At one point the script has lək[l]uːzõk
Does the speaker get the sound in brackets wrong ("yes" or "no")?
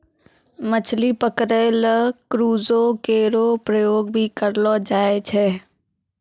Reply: yes